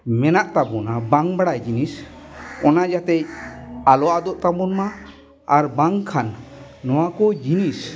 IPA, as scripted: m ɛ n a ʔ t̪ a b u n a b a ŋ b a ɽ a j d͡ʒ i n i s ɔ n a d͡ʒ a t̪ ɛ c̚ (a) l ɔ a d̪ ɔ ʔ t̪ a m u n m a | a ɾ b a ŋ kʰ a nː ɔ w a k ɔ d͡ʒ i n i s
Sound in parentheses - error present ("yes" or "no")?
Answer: no